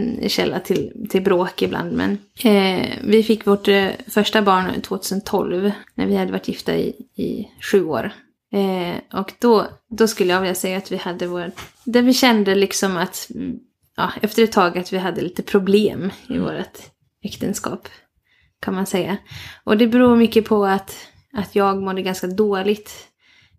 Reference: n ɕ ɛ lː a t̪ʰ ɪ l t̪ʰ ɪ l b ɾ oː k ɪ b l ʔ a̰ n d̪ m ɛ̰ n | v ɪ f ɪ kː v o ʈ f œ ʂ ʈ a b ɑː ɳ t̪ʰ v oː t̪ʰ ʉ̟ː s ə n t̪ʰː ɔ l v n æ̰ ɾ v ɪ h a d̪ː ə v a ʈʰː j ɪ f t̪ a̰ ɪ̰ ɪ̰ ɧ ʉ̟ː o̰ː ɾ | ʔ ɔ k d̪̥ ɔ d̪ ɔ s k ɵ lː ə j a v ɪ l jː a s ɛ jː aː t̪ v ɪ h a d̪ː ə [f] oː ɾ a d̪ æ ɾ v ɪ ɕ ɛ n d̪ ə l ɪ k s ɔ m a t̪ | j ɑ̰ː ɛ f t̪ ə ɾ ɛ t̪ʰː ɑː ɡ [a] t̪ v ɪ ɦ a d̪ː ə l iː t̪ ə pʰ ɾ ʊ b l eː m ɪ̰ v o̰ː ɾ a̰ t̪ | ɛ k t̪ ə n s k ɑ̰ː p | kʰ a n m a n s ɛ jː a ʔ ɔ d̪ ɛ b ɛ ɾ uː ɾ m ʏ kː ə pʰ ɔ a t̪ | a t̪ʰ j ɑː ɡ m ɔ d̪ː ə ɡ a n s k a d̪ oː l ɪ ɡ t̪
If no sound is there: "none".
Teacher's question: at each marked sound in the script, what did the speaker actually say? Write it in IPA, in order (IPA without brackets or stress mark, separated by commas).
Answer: v, a